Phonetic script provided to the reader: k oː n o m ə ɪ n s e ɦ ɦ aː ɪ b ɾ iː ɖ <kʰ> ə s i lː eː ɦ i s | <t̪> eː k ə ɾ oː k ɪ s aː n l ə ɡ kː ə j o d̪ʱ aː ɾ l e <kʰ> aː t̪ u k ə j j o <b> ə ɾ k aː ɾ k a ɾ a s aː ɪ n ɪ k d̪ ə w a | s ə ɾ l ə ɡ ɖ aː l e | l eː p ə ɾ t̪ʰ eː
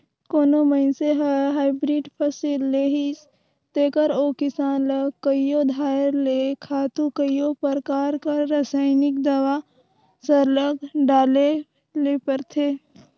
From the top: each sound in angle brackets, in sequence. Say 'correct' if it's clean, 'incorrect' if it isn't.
incorrect: pʰ, correct, correct, incorrect: p

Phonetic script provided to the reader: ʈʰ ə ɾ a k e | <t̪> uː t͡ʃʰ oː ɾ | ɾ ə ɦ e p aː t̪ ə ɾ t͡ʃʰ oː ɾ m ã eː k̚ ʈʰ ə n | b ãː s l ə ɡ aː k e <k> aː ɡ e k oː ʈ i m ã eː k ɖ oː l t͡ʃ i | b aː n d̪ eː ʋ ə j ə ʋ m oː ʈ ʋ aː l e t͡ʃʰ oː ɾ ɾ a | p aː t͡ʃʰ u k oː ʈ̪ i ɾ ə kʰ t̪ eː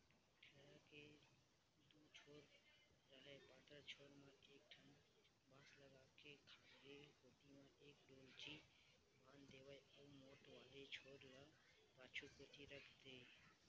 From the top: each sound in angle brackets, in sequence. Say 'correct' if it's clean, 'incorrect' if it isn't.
incorrect: d̪, incorrect: kʰ

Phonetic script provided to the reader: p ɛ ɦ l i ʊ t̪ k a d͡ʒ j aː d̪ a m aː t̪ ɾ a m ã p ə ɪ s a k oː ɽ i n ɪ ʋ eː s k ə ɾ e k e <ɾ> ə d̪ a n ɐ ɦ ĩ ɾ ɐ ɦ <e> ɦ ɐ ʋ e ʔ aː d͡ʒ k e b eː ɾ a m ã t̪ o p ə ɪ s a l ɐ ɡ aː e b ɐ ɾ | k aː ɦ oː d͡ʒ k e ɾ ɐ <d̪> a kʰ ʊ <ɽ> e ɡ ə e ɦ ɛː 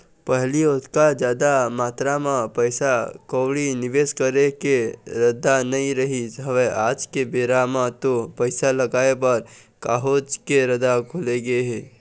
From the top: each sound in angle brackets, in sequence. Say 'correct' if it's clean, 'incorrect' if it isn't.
correct, incorrect: i, correct, incorrect: l

